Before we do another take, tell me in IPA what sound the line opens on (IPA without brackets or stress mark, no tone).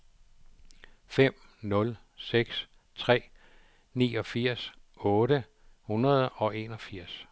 f